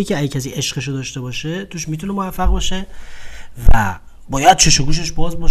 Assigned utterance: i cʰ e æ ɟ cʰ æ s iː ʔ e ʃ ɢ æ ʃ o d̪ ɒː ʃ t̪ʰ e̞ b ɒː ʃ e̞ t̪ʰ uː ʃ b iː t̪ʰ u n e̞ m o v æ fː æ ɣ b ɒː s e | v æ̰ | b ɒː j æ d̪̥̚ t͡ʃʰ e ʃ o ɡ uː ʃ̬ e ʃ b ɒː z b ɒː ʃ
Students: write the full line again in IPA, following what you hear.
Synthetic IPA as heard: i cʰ e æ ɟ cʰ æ s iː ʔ e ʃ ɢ e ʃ o d̪ ɒː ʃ t̪ e̞ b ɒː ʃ e̞ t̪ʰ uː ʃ m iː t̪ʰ u n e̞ m o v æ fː æ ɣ b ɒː ʃ e | v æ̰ | b ɒː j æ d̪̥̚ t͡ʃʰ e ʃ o ɡ uː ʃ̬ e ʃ b ɒː z b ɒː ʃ